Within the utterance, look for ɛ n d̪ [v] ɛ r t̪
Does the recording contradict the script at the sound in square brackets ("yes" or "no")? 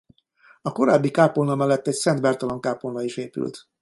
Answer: yes